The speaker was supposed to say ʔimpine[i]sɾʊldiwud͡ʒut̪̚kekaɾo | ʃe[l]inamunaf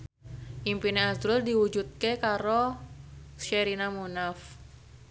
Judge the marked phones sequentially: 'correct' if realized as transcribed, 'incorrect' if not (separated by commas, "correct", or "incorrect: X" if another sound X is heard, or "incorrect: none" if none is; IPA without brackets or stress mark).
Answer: incorrect: a, incorrect: ɾ